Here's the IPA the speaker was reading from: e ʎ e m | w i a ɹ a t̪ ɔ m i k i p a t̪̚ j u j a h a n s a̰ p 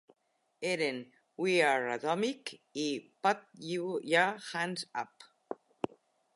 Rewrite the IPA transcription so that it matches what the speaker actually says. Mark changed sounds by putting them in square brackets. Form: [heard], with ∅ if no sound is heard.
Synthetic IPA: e [ɾ] e [n] | w i a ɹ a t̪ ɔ m i k i p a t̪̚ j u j a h a n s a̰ p